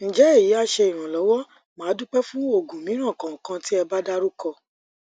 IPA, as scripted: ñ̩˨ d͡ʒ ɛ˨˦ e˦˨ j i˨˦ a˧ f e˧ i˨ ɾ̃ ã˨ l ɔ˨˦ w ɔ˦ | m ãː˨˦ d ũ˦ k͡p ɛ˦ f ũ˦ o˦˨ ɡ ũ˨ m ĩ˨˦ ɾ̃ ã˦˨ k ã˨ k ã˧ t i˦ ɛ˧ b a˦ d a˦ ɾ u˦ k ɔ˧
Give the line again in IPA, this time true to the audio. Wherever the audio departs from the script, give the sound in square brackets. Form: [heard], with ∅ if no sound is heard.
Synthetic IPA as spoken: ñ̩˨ d͡ʒ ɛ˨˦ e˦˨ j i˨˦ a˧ [ʃ] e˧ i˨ ɾ̃ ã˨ l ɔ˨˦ w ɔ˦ | m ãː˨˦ d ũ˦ k͡p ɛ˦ f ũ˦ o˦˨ ɡ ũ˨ m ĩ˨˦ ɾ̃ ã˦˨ k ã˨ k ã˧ t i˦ ɛ˧ b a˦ d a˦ ɾ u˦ k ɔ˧